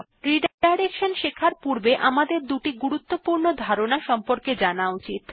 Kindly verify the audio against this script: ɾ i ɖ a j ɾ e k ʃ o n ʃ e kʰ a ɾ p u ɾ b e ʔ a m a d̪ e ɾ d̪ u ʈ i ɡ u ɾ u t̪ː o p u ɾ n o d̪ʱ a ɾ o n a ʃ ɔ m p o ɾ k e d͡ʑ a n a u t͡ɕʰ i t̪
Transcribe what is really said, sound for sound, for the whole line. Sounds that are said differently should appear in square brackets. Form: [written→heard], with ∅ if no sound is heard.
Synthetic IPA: ɾ i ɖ a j ɾ e k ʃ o n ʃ e kʰ a ɾ p u ɾ b e ʔ a m a d̪ e ɾ d̪ u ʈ i ɡ u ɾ u t̪ː o p u ɾ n o d̪ʱ a ɾ o n a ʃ ɔ m p o ɾ k e d͡ʑ a n a u [t͡ɕʰ→t͡ɕ] i t̪